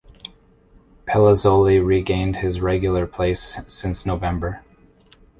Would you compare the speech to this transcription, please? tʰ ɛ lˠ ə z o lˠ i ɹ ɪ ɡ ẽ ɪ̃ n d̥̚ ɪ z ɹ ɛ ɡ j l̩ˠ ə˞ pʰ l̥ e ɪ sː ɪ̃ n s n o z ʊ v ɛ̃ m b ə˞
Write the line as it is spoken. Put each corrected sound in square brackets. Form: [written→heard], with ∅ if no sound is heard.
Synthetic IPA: [tʰ→pʰ] ɛ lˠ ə z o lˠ i ɹ [ɪ→i] ɡ ẽ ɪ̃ n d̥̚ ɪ z ɹ ɛ ɡ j l̩ˠ ə˞ pʰ l̥ e ɪ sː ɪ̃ n s n o [z→∅] ʊ v ɛ̃ m b ə˞